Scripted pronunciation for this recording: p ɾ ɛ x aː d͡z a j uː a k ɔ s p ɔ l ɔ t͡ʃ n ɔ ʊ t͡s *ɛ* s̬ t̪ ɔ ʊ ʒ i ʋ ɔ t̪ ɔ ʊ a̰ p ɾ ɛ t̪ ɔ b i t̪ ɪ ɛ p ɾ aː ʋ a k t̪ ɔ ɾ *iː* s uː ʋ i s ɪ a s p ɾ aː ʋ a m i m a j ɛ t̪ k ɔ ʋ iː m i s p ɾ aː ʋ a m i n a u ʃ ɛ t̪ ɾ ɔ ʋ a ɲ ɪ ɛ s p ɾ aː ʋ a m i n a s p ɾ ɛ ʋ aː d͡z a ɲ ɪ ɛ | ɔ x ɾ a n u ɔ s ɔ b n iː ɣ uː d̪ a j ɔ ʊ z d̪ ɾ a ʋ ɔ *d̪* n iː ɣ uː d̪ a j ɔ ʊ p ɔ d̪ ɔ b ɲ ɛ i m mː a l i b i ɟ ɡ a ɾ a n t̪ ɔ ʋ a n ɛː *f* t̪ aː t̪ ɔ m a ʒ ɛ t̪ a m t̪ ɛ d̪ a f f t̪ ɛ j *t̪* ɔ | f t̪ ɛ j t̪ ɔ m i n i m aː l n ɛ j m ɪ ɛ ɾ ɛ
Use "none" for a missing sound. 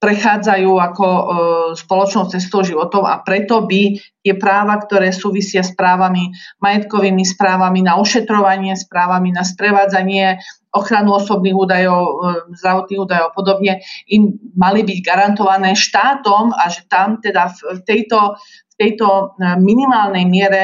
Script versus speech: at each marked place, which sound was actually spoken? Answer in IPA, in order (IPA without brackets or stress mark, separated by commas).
ɛ, ɛː, t̪, ʃ, t̪